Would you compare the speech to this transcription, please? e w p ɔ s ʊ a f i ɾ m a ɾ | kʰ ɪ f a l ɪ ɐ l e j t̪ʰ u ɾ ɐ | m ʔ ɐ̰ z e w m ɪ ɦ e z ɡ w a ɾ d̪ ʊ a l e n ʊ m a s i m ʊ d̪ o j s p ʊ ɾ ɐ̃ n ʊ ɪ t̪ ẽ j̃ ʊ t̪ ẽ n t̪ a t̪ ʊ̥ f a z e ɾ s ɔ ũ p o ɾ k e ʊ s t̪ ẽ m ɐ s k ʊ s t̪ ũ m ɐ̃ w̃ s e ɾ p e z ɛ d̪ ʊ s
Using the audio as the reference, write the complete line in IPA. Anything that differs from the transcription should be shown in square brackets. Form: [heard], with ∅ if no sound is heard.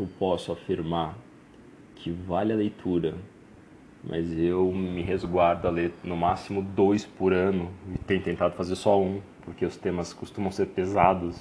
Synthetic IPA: e w p ɔ s ʊ a f i ɾ m a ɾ | kʰ ɪ [v] a l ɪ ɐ l e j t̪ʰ u ɾ ɐ | m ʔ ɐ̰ z e w m ɪ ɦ e z ɡ w a ɾ d̪ ʊ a l e n ʊ m a s i m ʊ d̪ o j s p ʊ ɾ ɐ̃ n ʊ ɪ t̪ ẽ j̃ ʊ t̪ ẽ n t̪ a [d̪] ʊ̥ f a z e ɾ s ɔ ũ p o ɾ k e ʊ s t̪ ẽ m ɐ s k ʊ s t̪ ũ m ɐ̃ w̃ s e ɾ p e z [a] d̪ ʊ s